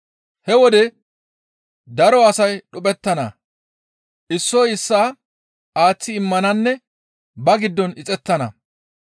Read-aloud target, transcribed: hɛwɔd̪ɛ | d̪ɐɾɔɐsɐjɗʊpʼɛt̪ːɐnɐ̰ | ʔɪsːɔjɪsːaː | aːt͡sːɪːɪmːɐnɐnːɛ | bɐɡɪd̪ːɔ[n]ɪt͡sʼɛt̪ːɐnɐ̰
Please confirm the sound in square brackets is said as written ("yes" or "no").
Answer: yes